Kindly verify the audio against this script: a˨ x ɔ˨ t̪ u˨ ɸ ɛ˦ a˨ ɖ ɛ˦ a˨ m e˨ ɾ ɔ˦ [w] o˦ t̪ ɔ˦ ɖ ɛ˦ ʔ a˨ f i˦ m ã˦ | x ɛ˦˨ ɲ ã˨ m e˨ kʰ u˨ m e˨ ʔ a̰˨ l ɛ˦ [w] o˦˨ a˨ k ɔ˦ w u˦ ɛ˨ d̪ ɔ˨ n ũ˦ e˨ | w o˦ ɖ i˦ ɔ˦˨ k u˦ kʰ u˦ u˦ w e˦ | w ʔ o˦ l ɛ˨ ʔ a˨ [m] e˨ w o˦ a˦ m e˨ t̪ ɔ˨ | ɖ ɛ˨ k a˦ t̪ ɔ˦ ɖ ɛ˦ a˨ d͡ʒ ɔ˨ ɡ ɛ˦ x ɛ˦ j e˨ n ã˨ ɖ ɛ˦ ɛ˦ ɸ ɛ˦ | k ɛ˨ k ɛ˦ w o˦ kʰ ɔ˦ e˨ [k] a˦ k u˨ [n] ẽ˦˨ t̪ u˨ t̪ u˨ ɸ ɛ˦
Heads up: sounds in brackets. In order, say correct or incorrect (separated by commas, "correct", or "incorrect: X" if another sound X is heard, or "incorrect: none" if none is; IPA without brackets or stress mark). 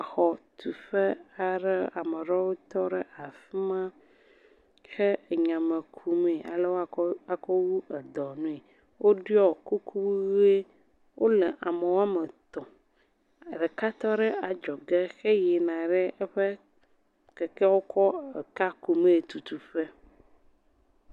correct, correct, correct, correct, incorrect: m